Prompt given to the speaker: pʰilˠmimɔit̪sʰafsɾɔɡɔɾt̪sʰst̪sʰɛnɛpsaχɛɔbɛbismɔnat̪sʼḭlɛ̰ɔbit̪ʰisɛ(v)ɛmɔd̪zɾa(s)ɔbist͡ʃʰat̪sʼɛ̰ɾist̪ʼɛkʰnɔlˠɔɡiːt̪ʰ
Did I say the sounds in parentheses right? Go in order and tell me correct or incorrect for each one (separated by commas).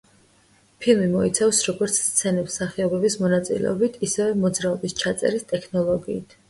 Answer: correct, incorrect